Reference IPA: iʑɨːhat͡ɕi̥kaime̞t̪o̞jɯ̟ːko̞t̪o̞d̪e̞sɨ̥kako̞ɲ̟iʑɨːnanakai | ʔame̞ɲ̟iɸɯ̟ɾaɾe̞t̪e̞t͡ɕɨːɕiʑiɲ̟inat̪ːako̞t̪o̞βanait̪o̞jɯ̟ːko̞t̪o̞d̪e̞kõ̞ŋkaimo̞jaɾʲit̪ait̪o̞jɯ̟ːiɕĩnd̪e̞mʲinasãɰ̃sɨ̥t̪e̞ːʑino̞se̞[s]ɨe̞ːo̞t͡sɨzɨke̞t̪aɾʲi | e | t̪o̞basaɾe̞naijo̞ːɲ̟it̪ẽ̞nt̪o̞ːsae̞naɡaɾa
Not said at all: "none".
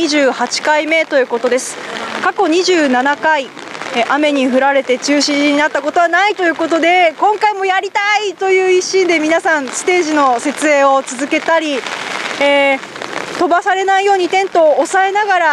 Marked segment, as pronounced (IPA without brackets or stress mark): t͡s